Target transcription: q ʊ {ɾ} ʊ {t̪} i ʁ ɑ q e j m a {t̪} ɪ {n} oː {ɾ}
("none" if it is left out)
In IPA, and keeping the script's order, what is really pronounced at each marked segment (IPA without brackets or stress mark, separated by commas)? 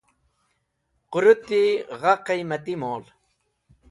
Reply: ɾ, t̪, t̪, m, l